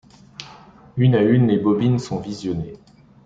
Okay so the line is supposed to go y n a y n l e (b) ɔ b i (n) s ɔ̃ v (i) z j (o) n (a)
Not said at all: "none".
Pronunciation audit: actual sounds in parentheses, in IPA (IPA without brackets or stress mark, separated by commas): b, n, i, ɔ, e